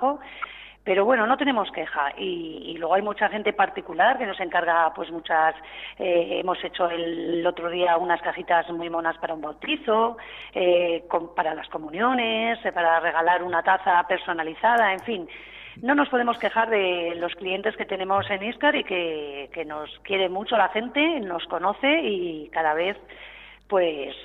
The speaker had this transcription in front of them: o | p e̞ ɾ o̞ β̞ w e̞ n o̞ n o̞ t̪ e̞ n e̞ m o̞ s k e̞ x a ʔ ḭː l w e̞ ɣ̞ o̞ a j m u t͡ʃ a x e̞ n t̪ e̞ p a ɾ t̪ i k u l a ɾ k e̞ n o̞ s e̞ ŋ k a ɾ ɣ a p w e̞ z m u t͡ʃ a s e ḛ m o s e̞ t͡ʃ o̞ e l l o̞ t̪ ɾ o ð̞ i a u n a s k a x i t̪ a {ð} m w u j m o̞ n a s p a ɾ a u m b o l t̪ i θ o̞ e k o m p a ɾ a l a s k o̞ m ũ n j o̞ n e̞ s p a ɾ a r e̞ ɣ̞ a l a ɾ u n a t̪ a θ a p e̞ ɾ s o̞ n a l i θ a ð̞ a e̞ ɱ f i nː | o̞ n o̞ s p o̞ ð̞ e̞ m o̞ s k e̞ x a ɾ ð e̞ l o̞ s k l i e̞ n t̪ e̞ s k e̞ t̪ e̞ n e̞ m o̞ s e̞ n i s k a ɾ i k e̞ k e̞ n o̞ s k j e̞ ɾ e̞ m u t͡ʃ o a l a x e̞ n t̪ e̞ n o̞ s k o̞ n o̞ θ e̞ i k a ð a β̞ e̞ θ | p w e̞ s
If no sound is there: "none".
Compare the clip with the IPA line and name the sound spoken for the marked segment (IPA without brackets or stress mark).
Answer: z